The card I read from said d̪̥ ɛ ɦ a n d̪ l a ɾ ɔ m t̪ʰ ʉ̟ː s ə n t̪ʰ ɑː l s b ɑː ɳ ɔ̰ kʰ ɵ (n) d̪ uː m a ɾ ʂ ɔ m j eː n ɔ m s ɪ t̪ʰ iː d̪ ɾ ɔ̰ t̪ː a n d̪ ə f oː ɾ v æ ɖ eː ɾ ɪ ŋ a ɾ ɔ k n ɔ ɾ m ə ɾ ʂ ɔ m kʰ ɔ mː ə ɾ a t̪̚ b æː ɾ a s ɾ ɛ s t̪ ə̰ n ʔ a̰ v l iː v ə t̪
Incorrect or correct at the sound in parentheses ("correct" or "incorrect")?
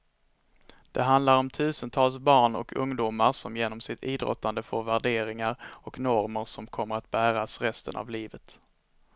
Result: incorrect